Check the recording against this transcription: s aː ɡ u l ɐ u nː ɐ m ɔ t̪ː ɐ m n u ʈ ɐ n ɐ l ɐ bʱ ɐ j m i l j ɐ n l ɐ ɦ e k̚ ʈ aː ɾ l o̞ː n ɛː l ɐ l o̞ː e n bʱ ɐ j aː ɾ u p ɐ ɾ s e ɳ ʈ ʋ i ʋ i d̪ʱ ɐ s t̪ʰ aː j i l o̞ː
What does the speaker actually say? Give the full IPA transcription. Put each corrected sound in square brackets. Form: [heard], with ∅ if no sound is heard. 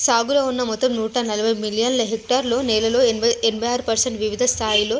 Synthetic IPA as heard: s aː ɡ u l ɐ u nː ɐ m ɔ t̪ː ɐ m n [uː] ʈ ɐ n ɐ l ɐ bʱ ɐ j m i l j ɐ n l ɐ ɦ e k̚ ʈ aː ɾ l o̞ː n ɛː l ɐ l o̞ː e n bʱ ɐ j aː ɾ u p ɐ ɾ s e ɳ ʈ ʋ i ʋ i d̪ʱ ɐ s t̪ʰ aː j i l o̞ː